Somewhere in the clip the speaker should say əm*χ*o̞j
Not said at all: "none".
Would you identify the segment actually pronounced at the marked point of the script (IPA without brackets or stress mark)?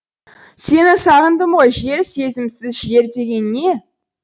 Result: ʁ